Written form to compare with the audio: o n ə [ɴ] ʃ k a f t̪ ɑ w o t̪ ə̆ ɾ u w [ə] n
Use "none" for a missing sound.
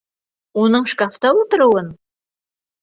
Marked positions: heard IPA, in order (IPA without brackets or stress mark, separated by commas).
ɴ, ə